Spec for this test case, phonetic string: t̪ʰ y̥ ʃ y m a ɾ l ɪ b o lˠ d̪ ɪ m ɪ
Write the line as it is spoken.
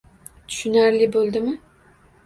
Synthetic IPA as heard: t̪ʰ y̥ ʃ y n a ɾ l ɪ b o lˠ d̪ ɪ m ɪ